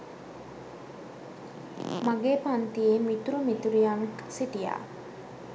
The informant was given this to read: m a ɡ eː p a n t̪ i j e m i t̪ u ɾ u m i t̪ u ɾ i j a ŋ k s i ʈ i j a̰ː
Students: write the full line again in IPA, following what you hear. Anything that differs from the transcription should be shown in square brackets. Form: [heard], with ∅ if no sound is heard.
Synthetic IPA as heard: m a ɡ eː p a n t̪ i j e m i t̪ u ɾ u m i t̪ u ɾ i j a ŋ k s i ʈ i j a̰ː